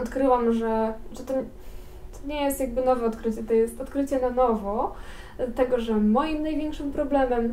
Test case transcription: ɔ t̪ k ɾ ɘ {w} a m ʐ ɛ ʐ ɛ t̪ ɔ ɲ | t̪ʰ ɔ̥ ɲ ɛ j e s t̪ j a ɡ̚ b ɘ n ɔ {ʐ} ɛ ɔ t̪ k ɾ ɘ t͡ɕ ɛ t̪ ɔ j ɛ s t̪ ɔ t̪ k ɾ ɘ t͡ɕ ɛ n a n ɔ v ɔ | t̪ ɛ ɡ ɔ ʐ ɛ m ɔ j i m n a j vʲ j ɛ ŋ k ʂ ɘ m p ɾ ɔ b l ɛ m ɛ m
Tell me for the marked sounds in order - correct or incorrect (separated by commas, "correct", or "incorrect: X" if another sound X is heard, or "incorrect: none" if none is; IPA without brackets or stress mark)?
correct, incorrect: v